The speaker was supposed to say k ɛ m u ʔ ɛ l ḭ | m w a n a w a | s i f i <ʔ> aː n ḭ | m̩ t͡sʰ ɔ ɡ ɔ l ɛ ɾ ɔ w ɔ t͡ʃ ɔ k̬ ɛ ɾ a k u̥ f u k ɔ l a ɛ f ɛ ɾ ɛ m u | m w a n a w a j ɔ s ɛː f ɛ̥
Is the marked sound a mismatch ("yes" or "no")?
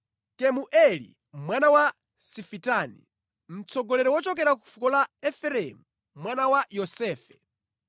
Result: yes